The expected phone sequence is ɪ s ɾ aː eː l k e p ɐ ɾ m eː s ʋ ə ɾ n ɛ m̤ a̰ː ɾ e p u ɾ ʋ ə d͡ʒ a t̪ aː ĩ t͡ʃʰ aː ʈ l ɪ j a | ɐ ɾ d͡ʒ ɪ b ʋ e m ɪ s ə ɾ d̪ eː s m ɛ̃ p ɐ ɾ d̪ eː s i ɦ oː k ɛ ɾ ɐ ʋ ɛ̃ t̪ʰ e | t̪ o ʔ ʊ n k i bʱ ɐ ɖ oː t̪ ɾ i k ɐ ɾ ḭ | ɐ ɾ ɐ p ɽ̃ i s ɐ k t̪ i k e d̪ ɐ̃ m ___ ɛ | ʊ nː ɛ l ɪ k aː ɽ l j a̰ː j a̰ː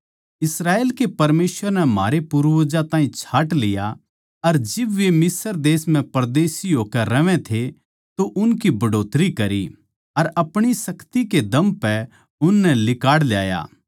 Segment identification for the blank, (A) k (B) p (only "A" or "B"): B